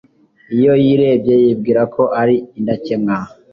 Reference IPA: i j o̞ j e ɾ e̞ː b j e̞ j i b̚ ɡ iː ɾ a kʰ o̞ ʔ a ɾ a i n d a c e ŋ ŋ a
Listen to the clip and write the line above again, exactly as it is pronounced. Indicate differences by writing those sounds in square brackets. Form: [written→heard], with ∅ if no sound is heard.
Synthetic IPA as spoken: i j o̞ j [e→i] ɾ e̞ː b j e̞ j i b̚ ɡ iː ɾ a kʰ o̞ ʔ a ɾ [a→i] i n d a c e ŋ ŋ a